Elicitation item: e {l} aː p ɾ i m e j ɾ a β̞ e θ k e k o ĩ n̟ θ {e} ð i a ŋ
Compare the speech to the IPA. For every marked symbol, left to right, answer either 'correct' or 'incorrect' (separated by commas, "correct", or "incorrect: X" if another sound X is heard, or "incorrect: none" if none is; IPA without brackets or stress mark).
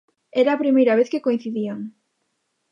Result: incorrect: ɾ, incorrect: i